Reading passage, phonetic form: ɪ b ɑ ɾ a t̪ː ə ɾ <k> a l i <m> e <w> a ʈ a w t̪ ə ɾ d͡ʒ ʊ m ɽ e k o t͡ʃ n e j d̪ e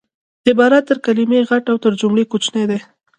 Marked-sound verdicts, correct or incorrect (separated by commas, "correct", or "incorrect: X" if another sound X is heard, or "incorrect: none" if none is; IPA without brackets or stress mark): correct, correct, incorrect: ɣ